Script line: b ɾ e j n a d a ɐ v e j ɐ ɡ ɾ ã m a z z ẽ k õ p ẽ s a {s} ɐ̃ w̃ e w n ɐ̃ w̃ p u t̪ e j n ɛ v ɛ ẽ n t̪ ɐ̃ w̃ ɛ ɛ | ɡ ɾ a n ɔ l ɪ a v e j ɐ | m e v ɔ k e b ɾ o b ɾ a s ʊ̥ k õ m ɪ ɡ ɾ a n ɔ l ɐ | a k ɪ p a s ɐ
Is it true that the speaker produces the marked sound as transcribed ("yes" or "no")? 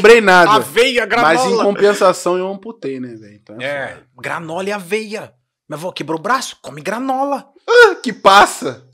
yes